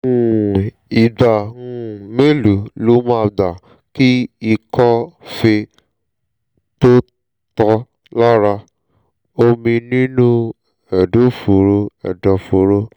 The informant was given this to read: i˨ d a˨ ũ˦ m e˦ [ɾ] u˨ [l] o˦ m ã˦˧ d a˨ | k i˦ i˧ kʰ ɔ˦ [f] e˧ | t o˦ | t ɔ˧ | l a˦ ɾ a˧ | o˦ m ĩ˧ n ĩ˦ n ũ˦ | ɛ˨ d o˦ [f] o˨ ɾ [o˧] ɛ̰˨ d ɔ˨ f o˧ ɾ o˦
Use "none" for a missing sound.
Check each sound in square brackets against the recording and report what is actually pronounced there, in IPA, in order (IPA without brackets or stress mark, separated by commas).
l, l, f, f, o˧